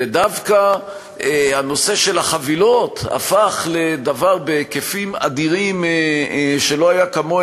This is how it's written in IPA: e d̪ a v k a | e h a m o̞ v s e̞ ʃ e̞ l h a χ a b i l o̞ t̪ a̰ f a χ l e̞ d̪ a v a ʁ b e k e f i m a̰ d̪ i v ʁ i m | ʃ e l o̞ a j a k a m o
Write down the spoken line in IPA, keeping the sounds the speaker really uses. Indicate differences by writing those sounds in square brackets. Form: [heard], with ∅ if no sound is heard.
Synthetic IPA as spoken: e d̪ a v k a | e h a [n] o̞ [∅] s e̞ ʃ e̞ l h a χ a [v] i l o̞ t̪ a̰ f a χ l e̞ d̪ a v a ʁ b e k e f i m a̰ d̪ i [∅] ʁ i m | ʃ e l o̞ a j a k a m o

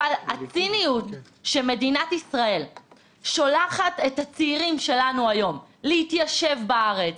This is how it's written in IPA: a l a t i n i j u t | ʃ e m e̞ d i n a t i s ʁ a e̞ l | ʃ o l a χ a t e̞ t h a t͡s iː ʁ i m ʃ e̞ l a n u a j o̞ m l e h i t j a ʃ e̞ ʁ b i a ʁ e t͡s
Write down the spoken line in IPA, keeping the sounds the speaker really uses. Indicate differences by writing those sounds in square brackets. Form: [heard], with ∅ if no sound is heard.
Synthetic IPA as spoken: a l a [t͡s] i n i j u t | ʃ e m e̞ d i n a t i s ʁ a e̞ l | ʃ o l a χ a t e̞ t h a t͡s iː ʁ i m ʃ e̞ l a n u a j o̞ m l e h i t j a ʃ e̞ [v] b [a] a ʁ e t͡s

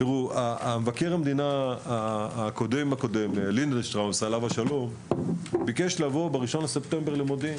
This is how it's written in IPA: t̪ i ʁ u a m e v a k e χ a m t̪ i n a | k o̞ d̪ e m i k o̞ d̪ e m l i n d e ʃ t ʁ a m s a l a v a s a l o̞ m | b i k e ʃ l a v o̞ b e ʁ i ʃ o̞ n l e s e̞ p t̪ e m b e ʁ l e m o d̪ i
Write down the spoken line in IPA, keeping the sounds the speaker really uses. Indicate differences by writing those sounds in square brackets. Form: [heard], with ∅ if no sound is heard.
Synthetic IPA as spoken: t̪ i ʁ u a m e v a k e [ʁ] a m [d̪] i n a | k o̞ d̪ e m [a] k o̞ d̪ e m l i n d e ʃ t ʁ a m s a l a v a [ʃ] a l o̞ m | b i k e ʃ l a v o̞ b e ʁ i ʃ o̞ n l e s e̞ p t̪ e m b e ʁ l e m o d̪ i

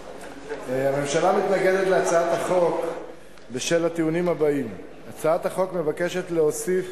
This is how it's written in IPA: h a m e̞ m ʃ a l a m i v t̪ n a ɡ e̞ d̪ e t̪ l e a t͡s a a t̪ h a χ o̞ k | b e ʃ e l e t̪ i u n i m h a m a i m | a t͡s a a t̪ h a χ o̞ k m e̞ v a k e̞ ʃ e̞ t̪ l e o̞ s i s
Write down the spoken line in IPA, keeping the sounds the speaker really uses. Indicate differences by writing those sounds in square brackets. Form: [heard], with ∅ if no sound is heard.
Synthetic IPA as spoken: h a m e̞ m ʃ a l a m i [∅] t̪ n a ɡ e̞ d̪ e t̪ l e a t͡s a a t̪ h a χ o̞ k | b e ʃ e l [a] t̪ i u n i m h a [b] a i m | a t͡s a a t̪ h a χ o̞ k m e̞ v a k e̞ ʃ e̞ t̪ l e o̞ s i [f]

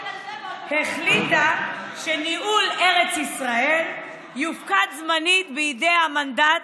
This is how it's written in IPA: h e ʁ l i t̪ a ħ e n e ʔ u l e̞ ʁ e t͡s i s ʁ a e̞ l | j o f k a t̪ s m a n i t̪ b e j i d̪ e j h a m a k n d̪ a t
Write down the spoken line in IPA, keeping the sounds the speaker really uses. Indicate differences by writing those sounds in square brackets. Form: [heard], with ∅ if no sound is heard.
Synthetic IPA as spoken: h e [χ] l i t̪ a [ʃ] e n [i] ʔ u l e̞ ʁ e t͡s i s ʁ a e̞ l | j [u] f k a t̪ [z] m a n i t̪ b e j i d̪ e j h a m a [∅] n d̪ a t

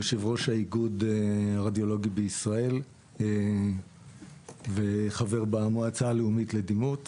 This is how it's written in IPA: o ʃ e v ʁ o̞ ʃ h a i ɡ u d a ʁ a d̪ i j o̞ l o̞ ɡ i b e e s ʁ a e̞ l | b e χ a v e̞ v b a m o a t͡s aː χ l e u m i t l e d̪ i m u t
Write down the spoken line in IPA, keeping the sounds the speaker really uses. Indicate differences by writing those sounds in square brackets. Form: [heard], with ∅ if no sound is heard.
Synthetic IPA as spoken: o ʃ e v ʁ o̞ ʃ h a i ɡ u d a ʁ a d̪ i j o̞ l o̞ ɡ i b e [i] s ʁ a e̞ l | [v] e χ a v e̞ [ʁ] b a m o a t͡s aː [∅] l e u m i t l e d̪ i m u t

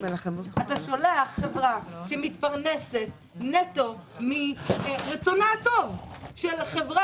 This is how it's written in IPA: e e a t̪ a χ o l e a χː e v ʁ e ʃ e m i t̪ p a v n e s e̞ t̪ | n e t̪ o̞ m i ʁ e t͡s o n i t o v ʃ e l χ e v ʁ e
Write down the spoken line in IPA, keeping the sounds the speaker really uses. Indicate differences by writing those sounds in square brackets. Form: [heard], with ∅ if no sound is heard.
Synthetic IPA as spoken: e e a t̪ a [ʃ] o l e a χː e v ʁ [a] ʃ e m i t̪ p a [ʁ] n e s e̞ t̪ | n e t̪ o̞ m i ʁ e t͡s o n [a] t o v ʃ e l χ e v ʁ [a]

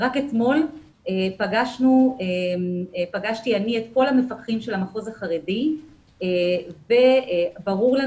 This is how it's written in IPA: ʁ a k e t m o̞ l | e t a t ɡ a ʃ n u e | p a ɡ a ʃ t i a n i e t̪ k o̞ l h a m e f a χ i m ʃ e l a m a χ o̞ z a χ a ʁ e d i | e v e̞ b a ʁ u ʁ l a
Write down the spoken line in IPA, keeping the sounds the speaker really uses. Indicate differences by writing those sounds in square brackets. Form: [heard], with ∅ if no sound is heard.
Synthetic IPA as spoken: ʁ a k e t m o̞ l | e [p] a [∅] ɡ a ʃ n u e | p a ɡ a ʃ t i a n i e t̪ k o̞ l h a m e f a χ i m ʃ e l a m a χ o̞ z a χ a ʁ e d i | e v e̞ b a ʁ u ʁ l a

